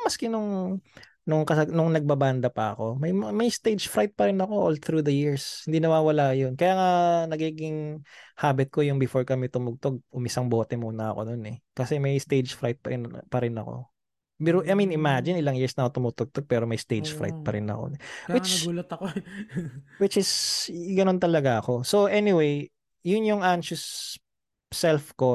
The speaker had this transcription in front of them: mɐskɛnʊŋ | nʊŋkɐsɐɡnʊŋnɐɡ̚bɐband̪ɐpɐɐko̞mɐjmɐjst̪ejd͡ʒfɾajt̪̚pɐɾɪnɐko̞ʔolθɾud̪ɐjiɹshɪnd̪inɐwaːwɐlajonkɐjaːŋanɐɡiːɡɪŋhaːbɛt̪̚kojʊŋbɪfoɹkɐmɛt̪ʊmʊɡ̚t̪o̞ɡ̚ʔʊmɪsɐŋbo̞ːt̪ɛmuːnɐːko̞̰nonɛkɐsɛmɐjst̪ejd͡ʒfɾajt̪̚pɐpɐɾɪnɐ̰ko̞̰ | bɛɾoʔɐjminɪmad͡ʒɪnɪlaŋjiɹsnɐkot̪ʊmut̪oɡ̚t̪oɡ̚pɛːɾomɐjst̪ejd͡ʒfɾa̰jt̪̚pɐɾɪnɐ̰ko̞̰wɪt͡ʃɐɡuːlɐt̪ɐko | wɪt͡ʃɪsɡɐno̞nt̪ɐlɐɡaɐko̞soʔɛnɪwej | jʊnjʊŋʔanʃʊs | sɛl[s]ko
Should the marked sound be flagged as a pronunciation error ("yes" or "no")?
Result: yes